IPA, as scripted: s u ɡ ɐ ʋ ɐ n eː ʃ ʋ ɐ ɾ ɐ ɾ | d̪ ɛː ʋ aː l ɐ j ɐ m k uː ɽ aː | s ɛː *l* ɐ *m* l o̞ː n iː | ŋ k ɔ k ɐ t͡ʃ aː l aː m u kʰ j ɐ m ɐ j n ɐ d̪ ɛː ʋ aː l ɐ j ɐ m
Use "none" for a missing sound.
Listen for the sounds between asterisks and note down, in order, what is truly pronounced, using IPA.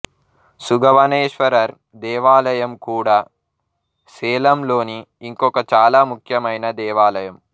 l, m

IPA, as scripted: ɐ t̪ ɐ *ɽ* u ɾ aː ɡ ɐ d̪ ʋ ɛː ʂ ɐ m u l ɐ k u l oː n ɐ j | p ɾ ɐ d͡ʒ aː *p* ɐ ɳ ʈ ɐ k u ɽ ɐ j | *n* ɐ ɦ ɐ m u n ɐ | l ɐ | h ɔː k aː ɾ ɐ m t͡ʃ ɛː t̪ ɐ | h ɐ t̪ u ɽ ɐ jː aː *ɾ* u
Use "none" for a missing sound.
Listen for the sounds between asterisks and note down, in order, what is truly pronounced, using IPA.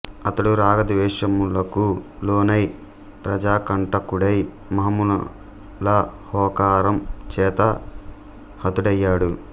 ɽ, k, m, ɽ

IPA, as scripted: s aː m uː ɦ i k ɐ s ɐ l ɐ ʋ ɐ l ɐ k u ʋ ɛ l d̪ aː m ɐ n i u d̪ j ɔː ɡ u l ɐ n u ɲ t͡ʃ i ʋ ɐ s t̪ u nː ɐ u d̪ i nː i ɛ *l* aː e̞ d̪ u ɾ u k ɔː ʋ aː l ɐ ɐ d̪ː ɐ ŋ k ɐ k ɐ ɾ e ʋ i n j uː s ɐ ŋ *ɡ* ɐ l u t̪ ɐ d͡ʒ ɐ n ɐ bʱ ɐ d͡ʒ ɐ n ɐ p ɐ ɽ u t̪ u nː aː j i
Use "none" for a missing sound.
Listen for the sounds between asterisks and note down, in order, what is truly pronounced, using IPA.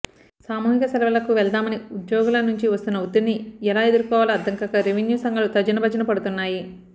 l, ɡ

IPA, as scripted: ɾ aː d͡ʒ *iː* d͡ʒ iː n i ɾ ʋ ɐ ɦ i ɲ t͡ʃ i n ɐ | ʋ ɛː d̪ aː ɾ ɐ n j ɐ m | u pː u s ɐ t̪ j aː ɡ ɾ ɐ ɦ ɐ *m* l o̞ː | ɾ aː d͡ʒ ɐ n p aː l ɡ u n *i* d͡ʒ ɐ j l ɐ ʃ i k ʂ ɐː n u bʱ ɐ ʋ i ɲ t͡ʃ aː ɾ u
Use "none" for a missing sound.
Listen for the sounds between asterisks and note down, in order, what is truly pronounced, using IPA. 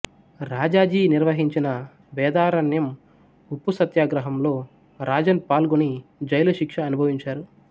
aː, m, i

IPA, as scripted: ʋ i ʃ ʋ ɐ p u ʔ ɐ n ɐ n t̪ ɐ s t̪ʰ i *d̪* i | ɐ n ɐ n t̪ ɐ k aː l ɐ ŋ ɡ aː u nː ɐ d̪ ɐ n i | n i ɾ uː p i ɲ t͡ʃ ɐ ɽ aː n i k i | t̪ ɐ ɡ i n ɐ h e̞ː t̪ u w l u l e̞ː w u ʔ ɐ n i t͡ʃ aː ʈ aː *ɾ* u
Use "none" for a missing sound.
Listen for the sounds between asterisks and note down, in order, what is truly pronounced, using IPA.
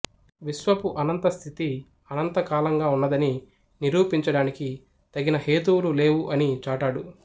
t̪, ɽ

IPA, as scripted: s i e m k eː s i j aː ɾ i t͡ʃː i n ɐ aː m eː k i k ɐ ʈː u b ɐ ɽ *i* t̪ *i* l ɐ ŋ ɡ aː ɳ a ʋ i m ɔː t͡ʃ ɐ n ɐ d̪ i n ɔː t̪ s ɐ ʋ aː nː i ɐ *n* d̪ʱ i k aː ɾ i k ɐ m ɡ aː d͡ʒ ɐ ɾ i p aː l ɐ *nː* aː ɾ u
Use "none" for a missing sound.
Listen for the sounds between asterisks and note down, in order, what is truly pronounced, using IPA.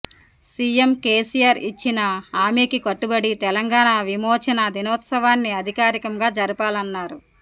i, ɛ, none, nː

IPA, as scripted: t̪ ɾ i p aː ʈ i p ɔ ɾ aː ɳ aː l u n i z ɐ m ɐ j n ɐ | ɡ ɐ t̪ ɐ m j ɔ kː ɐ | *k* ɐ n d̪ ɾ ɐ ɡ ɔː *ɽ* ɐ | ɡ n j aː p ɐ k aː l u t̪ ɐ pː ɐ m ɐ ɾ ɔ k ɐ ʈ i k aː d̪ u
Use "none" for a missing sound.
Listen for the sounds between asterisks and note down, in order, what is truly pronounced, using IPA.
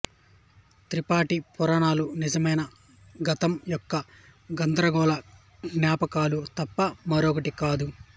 ɡ, l

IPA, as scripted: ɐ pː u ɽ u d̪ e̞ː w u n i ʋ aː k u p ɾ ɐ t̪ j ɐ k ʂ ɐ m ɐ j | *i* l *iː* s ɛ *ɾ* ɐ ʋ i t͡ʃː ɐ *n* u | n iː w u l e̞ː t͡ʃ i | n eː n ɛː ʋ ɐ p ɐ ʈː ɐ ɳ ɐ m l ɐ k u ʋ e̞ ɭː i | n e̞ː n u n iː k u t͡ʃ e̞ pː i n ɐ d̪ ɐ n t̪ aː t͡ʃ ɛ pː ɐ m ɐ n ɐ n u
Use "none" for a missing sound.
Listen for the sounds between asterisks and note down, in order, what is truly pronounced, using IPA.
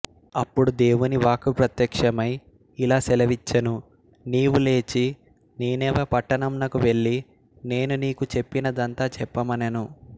i, aː, l, n

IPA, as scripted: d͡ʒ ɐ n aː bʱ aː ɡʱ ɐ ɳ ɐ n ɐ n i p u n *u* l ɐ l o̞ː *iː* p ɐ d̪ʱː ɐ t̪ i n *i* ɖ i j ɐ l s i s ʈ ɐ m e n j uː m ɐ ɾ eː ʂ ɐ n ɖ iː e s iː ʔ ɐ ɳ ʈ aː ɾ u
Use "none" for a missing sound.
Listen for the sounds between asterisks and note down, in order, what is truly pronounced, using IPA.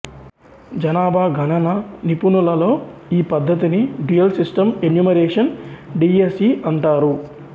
u, iː, i

